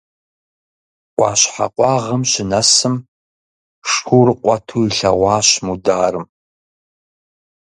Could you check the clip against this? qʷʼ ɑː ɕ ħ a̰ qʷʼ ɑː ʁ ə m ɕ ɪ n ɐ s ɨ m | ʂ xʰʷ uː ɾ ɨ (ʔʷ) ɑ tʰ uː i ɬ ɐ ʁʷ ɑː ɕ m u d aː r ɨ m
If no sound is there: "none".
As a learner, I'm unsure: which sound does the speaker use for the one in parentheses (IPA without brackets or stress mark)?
qʷ